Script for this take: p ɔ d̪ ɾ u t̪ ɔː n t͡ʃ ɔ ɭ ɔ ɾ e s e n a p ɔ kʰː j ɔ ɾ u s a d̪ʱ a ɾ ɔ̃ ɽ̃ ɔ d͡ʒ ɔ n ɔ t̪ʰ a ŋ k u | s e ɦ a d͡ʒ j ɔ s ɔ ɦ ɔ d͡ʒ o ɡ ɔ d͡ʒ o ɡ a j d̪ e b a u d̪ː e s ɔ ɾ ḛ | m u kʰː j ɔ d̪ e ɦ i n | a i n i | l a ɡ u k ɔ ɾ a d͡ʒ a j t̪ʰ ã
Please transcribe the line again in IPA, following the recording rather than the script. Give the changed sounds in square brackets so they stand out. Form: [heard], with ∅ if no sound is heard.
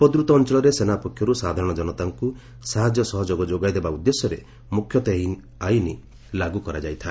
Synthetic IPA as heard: p ɔ d̪ ɾ u t̪ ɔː n t͡ʃ ɔ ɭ ɔ ɾ e s e n a p ɔ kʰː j ɔ ɾ u s a d̪ʱ a ɾ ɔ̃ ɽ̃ ɔ d͡ʒ ɔ n ɔ [t̪] a ŋ k u | s [a] ɦ a d͡ʒ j ɔ s ɔ ɦ ɔ d͡ʒ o ɡ ɔ d͡ʒ o ɡ a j d̪ e b a u d̪ː e s ɔ ɾ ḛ | m u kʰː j ɔ [t̪] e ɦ i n | a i n i | l a ɡ u k ɔ ɾ a d͡ʒ a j t̪ʰ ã